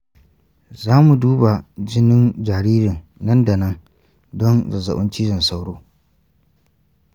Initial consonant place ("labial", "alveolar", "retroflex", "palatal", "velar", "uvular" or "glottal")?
alveolar